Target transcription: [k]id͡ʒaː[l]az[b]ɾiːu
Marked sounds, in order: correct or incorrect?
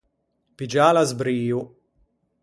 incorrect, correct, correct

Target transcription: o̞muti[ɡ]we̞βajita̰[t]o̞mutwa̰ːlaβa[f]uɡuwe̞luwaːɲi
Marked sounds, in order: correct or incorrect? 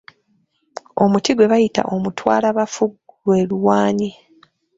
correct, incorrect, correct

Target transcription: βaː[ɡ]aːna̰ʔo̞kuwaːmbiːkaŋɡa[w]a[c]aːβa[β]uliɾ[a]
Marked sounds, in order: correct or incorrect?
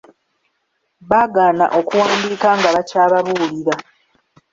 correct, incorrect, correct, correct, correct

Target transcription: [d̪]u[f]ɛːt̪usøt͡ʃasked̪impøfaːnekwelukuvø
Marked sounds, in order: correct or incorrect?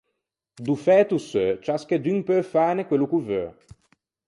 correct, correct

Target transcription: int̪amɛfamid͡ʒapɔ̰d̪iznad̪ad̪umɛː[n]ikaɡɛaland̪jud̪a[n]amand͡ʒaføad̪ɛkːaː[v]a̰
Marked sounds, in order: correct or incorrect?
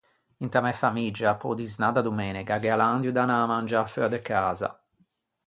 correct, correct, incorrect

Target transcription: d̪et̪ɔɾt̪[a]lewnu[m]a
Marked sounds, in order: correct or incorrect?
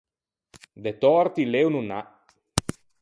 incorrect, incorrect

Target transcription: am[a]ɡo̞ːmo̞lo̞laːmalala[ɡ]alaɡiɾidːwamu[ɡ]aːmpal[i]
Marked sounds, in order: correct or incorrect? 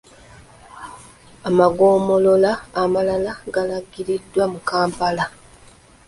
correct, correct, incorrect, incorrect

